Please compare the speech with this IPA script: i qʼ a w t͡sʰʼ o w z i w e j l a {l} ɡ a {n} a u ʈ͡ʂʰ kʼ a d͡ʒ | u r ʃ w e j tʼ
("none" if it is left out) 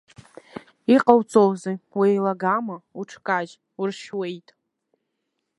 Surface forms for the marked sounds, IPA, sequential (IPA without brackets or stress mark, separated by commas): none, m